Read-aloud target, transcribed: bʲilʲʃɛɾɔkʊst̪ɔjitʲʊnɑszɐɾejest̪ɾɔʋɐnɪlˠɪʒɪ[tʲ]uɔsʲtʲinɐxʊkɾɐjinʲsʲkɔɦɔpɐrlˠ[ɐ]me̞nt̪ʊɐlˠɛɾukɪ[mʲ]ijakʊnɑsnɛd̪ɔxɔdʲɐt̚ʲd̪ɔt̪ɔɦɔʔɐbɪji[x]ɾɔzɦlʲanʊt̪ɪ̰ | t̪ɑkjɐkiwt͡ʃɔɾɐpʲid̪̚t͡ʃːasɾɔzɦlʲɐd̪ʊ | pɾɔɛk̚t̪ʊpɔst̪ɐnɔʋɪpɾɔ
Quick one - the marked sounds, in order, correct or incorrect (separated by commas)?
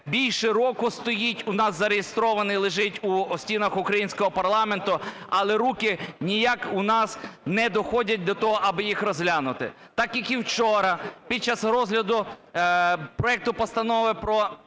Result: correct, incorrect, incorrect, correct